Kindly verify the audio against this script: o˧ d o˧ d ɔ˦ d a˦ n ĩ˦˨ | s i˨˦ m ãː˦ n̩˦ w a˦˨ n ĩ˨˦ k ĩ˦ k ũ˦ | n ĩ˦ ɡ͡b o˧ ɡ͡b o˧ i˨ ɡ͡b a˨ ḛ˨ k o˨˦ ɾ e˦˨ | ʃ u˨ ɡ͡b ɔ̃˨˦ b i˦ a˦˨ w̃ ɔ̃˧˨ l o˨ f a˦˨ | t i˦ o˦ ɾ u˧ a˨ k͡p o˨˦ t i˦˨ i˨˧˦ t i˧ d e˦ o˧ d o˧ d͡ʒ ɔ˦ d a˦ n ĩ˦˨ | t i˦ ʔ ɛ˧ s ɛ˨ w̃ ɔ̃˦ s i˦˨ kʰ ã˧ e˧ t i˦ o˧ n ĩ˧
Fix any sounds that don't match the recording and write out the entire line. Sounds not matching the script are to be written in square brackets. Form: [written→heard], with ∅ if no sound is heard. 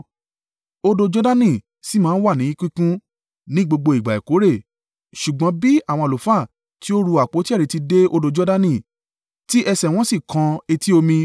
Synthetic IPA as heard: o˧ d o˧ [d→d͡ʒ] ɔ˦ d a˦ n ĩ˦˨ | s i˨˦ m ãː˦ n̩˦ w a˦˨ n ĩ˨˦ k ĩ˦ k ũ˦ | n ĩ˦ ɡ͡b o˧ ɡ͡b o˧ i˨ ɡ͡b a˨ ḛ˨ k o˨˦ ɾ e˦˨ | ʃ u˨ ɡ͡b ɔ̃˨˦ b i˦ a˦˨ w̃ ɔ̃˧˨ l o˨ f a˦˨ | t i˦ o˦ ɾ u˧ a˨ k͡p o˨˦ t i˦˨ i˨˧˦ t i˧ d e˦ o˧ d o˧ d͡ʒ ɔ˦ d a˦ n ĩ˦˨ | t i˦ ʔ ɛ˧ s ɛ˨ w̃ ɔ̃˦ s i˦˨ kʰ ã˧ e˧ t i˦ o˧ [n→m] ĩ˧